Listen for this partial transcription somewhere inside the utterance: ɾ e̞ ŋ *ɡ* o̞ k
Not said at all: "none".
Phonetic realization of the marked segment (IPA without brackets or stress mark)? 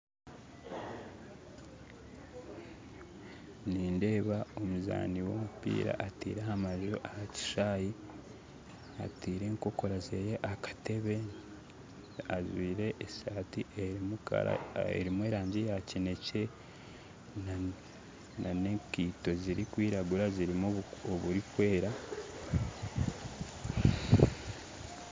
k